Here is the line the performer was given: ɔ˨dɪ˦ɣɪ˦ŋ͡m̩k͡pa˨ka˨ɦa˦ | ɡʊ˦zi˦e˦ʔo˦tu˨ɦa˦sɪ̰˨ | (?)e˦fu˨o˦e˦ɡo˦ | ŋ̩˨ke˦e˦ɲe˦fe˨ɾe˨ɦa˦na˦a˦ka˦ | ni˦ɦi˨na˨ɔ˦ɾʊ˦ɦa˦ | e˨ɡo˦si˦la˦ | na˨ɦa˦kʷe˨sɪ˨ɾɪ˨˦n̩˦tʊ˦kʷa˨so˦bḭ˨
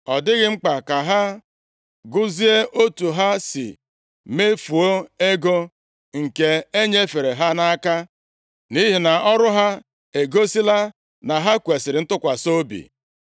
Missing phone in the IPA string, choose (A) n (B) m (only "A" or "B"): B